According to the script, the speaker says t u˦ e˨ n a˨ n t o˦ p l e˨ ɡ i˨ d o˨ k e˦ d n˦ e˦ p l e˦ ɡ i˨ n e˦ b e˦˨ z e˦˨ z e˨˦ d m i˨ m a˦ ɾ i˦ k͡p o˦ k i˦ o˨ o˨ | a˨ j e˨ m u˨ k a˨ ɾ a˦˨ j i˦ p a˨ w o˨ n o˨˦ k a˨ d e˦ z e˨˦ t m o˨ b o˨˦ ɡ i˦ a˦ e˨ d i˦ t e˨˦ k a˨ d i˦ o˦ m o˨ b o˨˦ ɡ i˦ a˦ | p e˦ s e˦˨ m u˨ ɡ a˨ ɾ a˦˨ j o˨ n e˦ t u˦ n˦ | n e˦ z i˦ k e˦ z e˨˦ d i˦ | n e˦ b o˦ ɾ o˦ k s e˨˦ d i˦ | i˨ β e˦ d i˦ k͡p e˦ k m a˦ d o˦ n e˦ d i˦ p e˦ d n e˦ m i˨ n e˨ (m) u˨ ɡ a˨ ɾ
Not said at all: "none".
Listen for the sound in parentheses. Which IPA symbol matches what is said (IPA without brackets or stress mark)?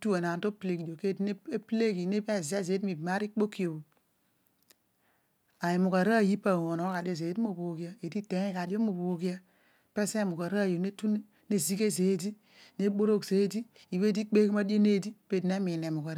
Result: m